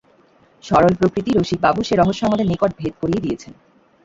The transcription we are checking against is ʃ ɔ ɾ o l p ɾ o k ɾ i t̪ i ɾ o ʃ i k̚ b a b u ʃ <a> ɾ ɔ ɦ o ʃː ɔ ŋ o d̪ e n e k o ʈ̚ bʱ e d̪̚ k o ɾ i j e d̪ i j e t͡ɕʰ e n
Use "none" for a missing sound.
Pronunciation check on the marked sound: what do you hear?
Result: e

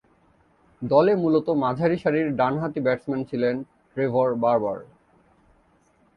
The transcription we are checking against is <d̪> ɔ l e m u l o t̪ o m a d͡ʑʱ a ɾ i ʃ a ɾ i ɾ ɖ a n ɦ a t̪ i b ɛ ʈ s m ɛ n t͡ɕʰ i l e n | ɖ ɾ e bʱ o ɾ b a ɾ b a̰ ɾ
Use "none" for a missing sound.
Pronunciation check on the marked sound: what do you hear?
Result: d̪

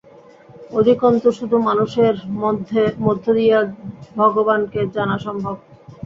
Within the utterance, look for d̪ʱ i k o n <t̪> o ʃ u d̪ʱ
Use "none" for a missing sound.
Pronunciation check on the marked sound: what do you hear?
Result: t̪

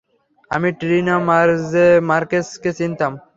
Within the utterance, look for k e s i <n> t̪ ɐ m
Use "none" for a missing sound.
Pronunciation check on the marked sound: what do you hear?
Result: n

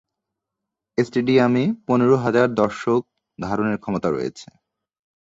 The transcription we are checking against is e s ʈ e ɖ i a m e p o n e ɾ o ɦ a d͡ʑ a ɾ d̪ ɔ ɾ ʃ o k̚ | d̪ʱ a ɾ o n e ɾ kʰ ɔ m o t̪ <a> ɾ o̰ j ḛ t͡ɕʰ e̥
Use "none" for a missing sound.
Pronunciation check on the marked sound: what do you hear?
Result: a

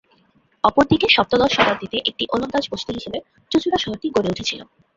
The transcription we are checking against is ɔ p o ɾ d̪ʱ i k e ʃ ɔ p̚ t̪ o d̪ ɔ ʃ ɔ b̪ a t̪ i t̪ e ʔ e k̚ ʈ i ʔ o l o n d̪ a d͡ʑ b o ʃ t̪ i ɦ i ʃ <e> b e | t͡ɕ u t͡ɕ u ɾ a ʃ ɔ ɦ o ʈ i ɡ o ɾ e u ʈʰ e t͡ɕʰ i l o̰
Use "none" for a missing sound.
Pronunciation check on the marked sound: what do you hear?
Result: e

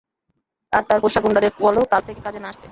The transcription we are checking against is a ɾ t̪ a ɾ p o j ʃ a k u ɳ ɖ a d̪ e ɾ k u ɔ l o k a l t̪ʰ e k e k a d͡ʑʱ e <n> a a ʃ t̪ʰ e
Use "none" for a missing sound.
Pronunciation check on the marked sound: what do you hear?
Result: n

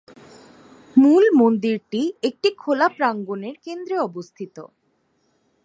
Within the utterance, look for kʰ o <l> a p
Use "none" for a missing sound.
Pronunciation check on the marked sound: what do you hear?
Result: l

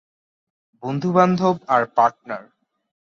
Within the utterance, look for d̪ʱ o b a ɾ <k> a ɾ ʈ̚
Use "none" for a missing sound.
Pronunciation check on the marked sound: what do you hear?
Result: p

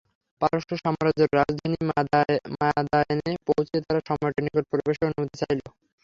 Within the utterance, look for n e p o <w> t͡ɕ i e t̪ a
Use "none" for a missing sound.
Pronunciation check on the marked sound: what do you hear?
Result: w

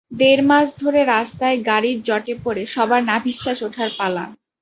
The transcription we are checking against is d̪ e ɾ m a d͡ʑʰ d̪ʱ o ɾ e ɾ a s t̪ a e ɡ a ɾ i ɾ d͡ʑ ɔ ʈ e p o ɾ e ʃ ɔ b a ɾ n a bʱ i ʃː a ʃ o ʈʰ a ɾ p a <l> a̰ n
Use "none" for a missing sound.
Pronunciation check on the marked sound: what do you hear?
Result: l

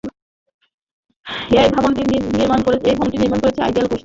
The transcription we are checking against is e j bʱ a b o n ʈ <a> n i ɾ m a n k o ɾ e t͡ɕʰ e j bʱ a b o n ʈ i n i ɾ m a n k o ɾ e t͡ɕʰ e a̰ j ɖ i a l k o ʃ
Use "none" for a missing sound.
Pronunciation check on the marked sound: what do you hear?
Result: i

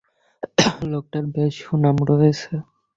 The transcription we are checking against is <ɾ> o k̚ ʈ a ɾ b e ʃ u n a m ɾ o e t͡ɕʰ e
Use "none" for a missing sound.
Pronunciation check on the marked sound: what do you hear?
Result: l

